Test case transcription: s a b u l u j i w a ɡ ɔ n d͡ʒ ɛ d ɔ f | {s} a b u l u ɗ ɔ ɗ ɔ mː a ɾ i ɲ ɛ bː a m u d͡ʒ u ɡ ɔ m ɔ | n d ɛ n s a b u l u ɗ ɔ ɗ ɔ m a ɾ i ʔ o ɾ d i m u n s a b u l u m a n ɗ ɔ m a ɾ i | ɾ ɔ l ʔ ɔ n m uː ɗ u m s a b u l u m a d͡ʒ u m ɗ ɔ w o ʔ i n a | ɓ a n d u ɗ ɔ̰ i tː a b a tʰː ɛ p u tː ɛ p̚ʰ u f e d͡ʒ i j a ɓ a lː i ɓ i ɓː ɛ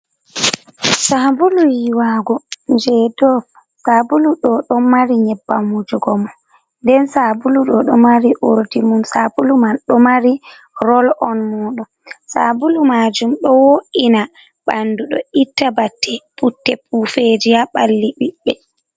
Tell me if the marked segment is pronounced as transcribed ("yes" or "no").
yes